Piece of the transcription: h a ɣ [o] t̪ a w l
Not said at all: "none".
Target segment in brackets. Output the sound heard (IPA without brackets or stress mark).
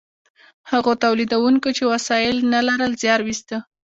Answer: o